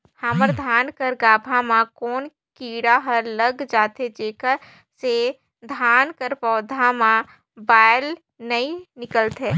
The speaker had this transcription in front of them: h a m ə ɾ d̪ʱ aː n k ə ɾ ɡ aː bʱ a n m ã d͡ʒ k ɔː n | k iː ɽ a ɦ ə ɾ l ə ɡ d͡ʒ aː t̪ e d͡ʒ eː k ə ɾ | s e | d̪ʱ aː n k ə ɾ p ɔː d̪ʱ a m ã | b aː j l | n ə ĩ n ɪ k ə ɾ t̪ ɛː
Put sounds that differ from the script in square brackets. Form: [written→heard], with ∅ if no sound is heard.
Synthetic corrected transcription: h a m ə ɾ d̪ʱ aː n k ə ɾ ɡ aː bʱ a [n→∅] m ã [d͡ʒ→∅] k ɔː n | k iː ɽ a ɦ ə ɾ l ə ɡ d͡ʒ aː t̪ e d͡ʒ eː k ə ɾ | s e | d̪ʱ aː n k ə ɾ p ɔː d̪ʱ a m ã | b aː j l | n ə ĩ n ɪ k ə [ɾ→l] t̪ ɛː